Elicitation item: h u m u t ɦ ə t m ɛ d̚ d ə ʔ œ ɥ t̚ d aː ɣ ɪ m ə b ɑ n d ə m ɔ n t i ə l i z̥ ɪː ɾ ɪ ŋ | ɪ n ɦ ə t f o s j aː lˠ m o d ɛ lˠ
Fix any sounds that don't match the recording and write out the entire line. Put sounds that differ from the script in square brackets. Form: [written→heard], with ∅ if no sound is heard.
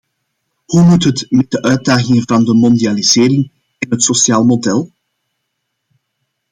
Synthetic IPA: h u m u t ɦ ə t m ɛ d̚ d ə ʔ œ ɥ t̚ d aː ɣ ɪ [m→ŋ] ə [b→v] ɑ n d ə m ɔ n [t→d] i [ə→a] l i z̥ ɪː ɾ ɪ ŋ | ɪ n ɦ ə t [f→s] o s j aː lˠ m o d ɛ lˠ